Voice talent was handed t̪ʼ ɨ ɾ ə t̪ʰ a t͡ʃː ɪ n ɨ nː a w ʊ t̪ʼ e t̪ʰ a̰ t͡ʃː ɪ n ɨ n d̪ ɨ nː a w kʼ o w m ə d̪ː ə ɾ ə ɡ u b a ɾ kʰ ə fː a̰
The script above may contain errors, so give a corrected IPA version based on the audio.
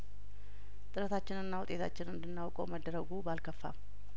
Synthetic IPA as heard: t̪ʼ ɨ ɾ ə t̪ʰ a t͡ʃː ɪ n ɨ nː a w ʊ t̪ʼ e t̪ʰ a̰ t͡ʃː ɪ n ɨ n d̪ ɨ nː a w kʼ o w m ə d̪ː ə ɾ ə ɡ u b a l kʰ ə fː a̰